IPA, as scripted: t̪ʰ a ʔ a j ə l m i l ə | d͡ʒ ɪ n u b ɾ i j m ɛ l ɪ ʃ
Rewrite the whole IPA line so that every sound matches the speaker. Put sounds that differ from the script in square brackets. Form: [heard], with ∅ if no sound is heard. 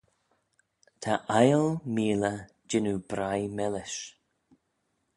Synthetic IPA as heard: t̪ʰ a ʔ a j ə l m [iː] l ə | d͡ʒ ɪ n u b ɾ [a] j m ɛ l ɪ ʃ